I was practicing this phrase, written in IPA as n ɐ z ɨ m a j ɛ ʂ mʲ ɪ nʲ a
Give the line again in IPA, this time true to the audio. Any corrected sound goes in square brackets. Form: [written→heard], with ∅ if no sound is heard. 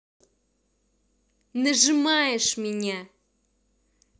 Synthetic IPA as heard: n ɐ [z→ʐ] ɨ m a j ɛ ʂ mʲ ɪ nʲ a